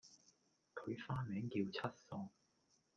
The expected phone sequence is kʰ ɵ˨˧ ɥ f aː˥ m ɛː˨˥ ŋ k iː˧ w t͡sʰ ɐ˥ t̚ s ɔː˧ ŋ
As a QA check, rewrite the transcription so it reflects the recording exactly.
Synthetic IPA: kʰ ɵ˨˧ ɥ f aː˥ m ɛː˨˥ ŋ k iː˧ w t͡sʰ ɐ˥ t̚ s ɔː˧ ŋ